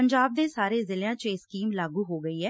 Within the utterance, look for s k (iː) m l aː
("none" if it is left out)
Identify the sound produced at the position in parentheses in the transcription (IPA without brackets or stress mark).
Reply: iː